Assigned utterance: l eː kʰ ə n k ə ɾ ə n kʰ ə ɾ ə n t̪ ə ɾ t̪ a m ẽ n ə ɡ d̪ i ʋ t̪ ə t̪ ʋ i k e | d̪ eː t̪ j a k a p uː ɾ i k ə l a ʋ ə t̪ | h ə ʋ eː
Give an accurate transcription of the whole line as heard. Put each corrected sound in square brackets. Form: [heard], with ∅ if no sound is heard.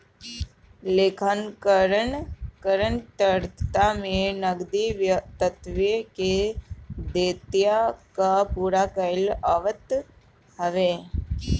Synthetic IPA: l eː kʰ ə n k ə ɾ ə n [k] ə ɾ ə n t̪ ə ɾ t̪ a m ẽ n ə ɡ d̪ i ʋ t̪ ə t̪ ʋ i k e | d̪ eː t̪ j a k a p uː ɾ [a] k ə l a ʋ ə t̪ | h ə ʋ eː